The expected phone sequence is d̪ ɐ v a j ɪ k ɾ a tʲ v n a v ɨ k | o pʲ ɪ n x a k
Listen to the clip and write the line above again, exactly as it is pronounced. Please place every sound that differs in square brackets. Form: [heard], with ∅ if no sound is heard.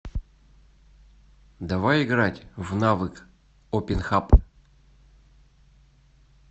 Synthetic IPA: d̪ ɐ v a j ɪ [ɡ] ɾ a tʲ v n a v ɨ k | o pʲ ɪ n x a [p]